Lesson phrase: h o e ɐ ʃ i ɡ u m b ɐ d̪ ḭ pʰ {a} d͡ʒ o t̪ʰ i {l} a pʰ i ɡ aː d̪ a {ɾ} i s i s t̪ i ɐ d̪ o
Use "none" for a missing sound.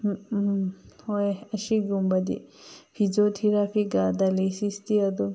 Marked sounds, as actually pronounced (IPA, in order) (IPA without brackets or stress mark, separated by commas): i, ɾ, l